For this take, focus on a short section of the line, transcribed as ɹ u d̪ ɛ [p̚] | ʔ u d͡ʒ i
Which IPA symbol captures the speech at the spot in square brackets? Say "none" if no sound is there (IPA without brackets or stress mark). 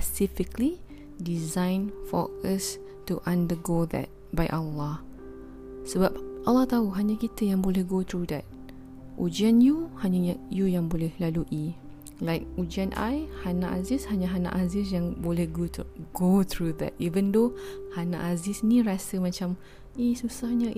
t̚